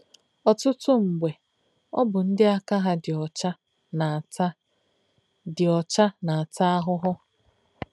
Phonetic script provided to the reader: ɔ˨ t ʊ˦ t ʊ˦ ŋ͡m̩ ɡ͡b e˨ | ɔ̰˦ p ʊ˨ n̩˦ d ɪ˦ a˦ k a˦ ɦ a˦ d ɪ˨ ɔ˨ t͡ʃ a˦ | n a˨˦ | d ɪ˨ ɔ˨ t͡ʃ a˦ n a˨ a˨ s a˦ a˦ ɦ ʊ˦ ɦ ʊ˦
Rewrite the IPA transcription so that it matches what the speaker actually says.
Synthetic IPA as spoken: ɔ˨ t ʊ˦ t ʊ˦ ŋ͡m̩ ɡ͡b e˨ | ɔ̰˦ b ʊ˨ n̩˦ d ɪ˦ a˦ k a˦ ɦ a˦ d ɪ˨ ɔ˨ t͡ʃ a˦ | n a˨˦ | d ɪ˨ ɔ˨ t͡ʃ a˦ n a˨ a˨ t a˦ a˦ ɦ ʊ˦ ɦ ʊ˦